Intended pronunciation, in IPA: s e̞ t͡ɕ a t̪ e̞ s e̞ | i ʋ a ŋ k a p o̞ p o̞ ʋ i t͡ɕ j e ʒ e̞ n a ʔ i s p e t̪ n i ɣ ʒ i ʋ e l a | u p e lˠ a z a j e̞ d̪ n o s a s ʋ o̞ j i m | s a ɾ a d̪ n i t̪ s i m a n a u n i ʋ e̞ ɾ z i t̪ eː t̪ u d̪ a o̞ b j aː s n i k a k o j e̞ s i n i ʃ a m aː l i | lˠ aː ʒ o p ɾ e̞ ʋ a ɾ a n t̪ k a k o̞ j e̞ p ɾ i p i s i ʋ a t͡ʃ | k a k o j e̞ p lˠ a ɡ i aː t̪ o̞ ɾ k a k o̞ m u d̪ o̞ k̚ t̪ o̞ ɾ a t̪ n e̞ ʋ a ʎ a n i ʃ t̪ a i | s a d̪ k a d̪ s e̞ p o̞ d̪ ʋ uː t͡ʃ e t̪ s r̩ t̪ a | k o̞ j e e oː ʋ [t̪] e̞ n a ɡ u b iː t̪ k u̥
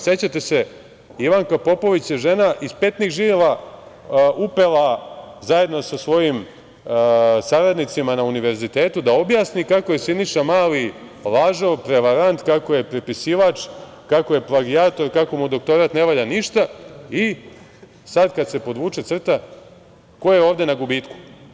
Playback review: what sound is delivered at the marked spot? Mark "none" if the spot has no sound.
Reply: d̪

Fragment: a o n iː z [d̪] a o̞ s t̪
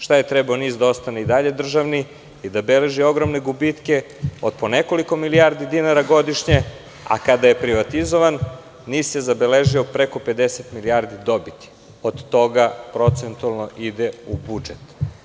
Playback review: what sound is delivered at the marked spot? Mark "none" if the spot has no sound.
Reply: d̪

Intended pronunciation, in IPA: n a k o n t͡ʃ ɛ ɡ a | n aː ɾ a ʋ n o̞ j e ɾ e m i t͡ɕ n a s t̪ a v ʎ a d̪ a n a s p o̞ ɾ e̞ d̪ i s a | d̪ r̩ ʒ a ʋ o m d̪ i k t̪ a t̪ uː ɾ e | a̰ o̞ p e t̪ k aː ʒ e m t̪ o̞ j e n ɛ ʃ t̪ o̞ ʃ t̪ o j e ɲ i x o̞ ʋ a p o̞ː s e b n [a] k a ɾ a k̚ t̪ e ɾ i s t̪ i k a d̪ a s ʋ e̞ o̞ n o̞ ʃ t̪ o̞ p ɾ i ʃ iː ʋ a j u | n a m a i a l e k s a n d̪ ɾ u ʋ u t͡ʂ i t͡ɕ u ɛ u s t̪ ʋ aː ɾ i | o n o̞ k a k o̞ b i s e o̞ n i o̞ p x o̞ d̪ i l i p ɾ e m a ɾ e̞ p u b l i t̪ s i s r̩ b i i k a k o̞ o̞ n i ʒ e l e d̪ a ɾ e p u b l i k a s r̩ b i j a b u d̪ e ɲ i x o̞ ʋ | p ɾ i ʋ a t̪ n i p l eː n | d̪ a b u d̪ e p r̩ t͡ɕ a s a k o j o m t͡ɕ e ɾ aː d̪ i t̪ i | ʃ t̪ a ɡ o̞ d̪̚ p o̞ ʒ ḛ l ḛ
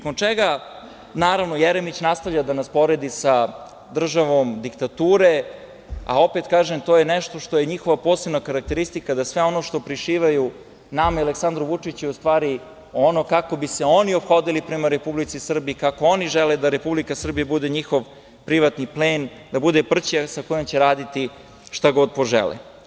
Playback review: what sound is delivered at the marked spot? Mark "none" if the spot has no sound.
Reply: a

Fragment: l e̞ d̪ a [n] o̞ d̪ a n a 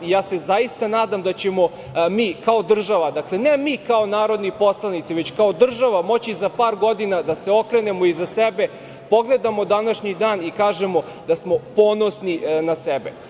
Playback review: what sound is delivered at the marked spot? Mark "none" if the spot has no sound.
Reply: m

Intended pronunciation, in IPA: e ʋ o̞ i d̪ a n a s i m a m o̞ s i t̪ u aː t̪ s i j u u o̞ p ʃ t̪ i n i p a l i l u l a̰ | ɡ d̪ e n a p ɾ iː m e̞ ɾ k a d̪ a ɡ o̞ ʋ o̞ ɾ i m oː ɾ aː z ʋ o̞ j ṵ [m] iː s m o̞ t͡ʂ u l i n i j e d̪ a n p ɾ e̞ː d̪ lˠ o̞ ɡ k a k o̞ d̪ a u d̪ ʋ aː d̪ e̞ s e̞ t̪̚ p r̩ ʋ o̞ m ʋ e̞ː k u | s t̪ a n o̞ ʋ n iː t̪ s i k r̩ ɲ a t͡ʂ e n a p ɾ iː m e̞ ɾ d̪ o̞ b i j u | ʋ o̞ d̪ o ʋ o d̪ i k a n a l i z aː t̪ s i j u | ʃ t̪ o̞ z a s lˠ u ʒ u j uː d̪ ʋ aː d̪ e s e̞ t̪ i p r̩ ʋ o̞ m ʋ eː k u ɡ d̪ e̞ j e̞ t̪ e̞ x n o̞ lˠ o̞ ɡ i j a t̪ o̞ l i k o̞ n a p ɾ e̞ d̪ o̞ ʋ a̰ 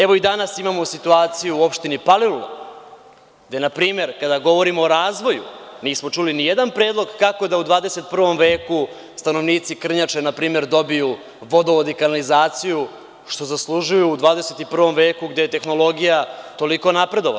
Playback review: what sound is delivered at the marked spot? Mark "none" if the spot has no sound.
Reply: n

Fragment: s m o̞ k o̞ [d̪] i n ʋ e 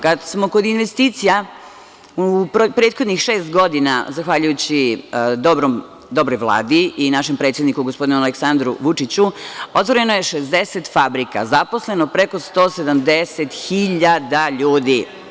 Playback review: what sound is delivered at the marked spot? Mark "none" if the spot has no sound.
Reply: d̪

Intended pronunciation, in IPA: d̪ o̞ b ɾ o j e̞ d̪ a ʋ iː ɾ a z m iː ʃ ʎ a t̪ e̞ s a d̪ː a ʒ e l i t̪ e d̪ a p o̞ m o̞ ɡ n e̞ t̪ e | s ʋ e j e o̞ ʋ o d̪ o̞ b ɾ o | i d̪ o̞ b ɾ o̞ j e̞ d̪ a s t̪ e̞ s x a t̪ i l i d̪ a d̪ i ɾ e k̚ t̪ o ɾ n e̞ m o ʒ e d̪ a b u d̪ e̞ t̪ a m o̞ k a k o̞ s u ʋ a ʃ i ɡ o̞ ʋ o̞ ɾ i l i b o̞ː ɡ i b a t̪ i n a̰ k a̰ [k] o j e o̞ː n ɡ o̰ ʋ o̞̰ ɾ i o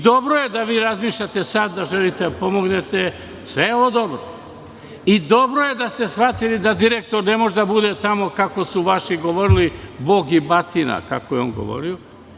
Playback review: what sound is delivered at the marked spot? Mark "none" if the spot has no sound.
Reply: k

